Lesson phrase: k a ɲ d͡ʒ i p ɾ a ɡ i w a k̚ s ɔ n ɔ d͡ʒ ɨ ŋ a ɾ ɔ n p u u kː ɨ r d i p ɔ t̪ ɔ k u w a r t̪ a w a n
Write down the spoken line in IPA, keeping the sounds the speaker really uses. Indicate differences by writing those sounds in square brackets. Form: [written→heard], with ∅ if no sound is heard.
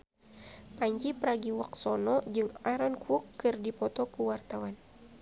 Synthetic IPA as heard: [k→p] a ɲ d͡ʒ i p ɾ a ɡ i w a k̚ s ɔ n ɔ d͡ʒ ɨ ŋ a ɾ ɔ n [p→k] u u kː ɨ r d i p ɔ t̪ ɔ k u w a r t̪ a w a n